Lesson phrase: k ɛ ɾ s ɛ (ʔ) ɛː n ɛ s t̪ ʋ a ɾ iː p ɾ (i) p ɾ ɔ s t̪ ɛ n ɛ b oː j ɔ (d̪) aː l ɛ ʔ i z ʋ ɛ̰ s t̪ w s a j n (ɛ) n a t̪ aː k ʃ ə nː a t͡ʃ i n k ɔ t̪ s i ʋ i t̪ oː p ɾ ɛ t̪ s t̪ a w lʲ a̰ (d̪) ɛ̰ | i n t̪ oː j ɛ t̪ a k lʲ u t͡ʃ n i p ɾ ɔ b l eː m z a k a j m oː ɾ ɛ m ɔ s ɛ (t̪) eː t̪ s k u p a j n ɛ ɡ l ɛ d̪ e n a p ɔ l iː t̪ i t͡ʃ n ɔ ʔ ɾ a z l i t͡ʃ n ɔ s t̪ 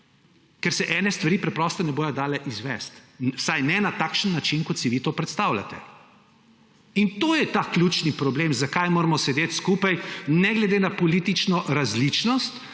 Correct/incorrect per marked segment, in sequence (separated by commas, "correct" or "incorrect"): correct, incorrect, correct, correct, incorrect, incorrect